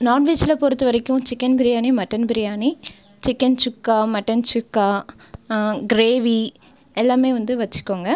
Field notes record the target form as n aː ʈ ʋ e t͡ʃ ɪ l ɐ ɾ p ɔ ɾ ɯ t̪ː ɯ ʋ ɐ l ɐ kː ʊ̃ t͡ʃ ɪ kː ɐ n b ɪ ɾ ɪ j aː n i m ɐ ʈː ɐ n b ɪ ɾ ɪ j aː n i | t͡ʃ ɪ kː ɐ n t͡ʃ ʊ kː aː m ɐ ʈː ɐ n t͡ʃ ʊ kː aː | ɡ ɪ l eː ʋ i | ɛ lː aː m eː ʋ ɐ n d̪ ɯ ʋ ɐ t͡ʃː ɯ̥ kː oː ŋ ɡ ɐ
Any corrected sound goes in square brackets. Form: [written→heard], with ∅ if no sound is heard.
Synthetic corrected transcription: n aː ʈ ʋ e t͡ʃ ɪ l ɐ [ɾ→∅] p ɔ ɾ ɯ t̪ː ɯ ʋ ɐ [l→ɾ] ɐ kː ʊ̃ t͡ʃ ɪ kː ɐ n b ɪ ɾ ɪ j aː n i m ɐ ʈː ɐ n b ɪ ɾ ɪ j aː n i | t͡ʃ ɪ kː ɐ n t͡ʃ ʊ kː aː m ɐ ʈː ɐ n t͡ʃ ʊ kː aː | ɡ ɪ [l→ɾ] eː ʋ i | ɛ lː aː m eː ʋ ɐ n d̪ ɯ ʋ ɐ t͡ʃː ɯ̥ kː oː ŋ ɡ ɐ